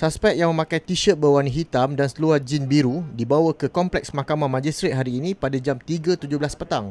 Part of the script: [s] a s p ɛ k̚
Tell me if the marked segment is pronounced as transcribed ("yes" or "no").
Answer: yes